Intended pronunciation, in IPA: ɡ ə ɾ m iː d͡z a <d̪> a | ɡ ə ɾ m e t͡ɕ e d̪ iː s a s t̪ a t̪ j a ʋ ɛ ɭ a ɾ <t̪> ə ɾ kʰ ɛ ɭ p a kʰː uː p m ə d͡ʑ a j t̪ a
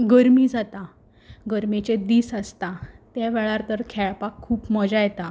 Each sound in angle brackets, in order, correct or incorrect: incorrect: t̪, correct

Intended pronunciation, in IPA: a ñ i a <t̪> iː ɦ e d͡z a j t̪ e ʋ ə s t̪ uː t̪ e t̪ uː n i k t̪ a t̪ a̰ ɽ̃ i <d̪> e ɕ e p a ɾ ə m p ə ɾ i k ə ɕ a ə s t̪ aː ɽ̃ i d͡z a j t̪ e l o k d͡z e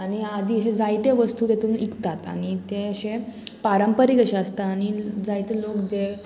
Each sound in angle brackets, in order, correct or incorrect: incorrect: d̪, incorrect: t̪

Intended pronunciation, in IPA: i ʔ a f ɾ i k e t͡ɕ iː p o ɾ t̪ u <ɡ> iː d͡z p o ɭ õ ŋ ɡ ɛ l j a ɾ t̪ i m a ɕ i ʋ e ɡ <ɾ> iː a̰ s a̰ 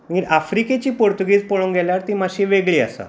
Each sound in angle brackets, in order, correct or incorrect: correct, incorrect: ɭ

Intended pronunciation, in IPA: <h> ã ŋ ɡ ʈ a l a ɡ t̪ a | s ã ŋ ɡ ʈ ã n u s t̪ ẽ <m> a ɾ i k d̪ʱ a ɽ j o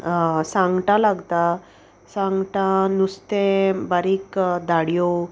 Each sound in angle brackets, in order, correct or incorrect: incorrect: s, incorrect: b

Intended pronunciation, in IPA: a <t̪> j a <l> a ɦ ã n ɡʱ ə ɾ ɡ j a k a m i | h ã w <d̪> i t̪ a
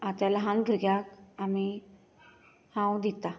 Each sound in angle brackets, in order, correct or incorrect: correct, correct, correct

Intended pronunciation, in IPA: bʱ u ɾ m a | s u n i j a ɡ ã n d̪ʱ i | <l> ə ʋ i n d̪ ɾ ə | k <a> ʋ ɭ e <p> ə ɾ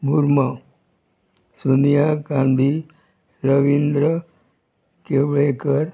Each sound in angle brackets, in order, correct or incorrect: incorrect: ɾ, incorrect: e, incorrect: k

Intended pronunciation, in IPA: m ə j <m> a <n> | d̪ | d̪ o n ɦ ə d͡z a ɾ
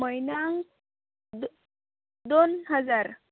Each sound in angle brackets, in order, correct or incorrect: incorrect: n, incorrect: ŋ

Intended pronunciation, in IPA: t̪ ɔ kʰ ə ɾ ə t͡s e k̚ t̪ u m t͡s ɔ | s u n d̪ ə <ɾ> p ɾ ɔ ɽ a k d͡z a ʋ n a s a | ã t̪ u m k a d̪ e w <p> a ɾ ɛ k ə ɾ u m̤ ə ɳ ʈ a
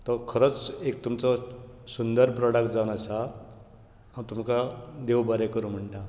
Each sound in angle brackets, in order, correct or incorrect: correct, incorrect: b

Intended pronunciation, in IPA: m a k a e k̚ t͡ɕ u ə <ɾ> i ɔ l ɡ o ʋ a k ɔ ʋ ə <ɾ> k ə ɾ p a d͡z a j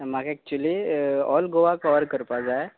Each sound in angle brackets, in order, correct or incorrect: incorrect: l, correct

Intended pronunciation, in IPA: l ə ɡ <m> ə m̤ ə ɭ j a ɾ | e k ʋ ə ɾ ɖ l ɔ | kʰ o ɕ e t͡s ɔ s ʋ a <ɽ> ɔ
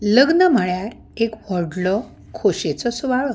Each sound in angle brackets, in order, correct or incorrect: incorrect: n, incorrect: ɭ

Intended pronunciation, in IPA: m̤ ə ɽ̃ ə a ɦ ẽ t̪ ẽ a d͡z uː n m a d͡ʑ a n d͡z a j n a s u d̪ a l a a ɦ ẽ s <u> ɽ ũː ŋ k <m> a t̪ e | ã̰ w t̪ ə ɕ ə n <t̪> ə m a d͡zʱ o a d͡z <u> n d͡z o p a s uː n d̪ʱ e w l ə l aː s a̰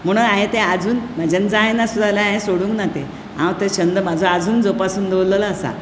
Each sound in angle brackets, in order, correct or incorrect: incorrect: o, incorrect: n, incorrect: d̪, incorrect: uː

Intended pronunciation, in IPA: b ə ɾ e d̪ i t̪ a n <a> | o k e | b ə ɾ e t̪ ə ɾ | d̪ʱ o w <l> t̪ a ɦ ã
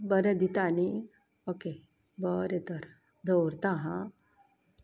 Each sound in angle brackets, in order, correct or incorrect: incorrect: i, incorrect: ɾ

